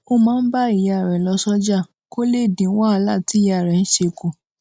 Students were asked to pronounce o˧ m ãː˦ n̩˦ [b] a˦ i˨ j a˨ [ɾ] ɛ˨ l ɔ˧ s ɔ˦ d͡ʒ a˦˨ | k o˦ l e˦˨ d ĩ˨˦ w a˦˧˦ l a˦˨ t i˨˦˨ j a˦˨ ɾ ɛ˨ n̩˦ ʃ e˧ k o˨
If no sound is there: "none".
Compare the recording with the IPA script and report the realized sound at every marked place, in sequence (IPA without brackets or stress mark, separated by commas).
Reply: b, ɾ